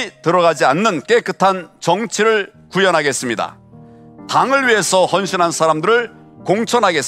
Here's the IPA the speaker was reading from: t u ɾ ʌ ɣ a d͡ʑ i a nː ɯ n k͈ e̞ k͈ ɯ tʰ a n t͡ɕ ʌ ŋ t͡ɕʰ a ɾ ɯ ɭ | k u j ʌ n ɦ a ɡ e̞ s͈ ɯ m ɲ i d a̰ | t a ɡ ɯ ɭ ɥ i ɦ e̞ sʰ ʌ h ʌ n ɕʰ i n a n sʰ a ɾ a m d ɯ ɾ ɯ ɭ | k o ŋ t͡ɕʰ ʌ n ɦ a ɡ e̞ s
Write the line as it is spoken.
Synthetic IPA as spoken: t ɯ ɾ ʌ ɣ a d͡ʑ i a nː ɯ n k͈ e̞ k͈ ɯ tʰ a n t͡ɕ ʌ ŋ t͡ɕʰ i ɾ ɯ ɭ | k u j ʌ n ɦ a ɡ e̞ s͈ ɯ m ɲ i d a̰ | t a ŋ ɯ ɭ ɥ i ɦ e̞ sʰ ʌ h ʌ n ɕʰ i n a n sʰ a ɾ a m d ɯ ɾ ɯ ɭ | k o ŋ t͡ɕʰ ʌ n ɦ a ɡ e̞ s